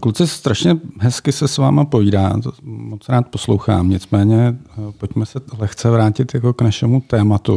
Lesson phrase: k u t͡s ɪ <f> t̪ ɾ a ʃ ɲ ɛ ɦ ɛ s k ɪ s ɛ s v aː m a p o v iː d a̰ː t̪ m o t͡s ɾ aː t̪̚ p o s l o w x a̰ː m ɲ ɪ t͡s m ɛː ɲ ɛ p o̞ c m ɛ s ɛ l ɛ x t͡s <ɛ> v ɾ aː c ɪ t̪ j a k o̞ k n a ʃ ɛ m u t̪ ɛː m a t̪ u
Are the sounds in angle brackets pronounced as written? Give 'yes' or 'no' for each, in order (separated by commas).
no, yes